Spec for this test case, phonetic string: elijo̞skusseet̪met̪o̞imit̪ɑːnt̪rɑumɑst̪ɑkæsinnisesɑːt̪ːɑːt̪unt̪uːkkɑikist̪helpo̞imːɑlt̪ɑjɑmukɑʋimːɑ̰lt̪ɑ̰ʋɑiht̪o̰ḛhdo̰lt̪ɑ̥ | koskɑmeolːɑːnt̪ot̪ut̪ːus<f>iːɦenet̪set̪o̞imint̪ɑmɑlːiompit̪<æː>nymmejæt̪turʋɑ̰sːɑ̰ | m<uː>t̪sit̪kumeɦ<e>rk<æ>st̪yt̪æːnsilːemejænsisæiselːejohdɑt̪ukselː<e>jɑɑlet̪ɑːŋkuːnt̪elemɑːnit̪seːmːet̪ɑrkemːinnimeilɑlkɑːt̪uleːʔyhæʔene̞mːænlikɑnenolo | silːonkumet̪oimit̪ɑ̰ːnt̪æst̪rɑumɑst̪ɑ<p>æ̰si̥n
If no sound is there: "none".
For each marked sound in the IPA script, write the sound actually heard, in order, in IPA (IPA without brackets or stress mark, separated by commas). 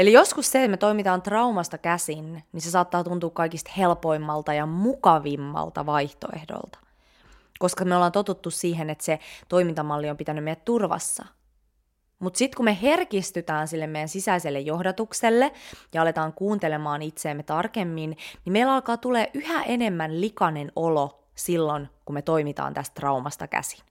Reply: s, æ, u, e, i, e, k